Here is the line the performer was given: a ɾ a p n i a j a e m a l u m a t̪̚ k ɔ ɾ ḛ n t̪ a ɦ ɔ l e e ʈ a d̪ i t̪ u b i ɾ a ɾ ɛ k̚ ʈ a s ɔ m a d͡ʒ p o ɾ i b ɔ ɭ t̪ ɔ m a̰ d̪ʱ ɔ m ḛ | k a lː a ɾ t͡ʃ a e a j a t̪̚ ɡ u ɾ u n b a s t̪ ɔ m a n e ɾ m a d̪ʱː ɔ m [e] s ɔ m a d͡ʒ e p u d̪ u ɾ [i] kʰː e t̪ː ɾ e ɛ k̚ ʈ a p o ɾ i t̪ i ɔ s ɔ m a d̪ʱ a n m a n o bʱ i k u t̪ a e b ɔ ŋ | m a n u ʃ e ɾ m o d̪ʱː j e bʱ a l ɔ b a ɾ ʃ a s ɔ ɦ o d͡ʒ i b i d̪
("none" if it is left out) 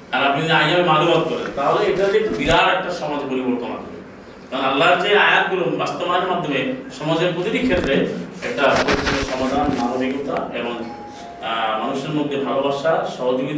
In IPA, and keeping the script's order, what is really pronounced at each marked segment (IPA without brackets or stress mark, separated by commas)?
e, i